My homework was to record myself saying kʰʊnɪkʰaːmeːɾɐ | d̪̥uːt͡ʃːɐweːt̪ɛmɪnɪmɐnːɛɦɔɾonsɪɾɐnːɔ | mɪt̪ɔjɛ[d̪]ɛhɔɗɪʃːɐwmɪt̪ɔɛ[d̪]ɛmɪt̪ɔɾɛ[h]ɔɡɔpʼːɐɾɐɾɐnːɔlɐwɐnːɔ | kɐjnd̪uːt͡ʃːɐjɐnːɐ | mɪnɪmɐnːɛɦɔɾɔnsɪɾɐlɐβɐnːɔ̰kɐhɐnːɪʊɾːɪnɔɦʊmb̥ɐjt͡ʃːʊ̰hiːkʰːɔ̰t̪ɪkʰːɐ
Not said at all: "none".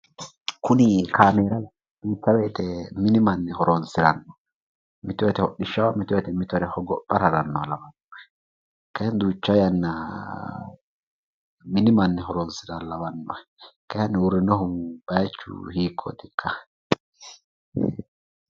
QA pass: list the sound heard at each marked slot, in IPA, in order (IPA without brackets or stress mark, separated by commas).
t̪, t̪, h